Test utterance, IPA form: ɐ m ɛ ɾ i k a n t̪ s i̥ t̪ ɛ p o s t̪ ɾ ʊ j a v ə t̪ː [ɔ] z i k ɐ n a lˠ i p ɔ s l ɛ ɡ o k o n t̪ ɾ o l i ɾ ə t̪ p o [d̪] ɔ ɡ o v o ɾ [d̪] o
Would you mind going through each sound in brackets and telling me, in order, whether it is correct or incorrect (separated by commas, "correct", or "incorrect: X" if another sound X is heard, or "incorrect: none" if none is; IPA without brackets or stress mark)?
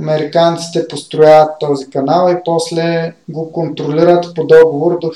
correct, correct, correct